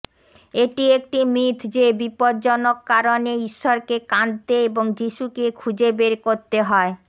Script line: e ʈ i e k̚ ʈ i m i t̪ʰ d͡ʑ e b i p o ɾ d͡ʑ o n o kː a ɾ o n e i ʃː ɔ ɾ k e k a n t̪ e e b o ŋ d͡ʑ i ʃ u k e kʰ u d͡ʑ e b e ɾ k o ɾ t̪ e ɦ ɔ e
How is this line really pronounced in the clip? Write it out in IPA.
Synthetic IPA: e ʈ i e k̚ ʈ i m i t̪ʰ d͡ʑ e b i p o ɾ d͡ʑ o n o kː a ɾ o n e i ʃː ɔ ɾ k e k a n t̪ e e b o ŋ d͡ʑ i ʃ u k e kʰ u d͡ʑ e b e ɾ k o ɾ t̪ e ɦ ɔ e